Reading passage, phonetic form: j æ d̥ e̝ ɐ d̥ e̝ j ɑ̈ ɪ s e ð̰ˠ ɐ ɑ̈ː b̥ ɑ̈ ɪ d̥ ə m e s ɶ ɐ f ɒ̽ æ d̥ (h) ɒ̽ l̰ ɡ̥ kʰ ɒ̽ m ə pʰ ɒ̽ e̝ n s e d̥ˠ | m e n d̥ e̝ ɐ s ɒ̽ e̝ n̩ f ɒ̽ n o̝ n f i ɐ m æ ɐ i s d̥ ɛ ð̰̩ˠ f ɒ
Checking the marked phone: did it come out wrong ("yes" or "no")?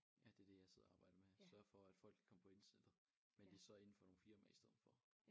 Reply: yes